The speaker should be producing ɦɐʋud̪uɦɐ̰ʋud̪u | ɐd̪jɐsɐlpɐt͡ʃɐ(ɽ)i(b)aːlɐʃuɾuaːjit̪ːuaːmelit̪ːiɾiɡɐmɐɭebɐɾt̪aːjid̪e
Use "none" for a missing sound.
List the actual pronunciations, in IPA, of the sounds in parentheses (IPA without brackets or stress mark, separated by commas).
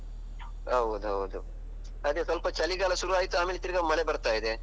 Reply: l, ɡ